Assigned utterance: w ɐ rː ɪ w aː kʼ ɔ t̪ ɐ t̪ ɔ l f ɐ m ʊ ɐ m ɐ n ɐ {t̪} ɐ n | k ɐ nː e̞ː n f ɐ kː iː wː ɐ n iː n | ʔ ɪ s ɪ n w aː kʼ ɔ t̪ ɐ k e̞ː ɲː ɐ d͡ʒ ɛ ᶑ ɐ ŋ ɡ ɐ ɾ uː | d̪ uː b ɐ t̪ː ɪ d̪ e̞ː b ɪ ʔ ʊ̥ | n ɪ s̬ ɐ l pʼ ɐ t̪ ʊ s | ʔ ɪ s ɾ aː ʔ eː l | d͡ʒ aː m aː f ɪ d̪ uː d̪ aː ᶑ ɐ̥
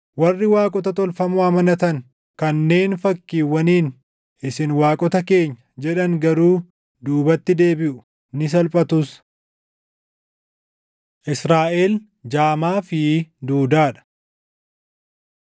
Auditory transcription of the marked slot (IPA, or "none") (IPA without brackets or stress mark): t̪